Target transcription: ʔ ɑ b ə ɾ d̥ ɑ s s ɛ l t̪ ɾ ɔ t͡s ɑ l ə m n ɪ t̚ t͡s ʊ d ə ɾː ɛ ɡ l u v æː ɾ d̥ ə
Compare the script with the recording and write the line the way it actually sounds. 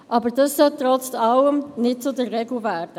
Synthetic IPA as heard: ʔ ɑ b ə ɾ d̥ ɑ s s œ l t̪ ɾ ɔ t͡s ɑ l ə m n ɪ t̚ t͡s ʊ d ə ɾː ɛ ɡ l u v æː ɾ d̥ ə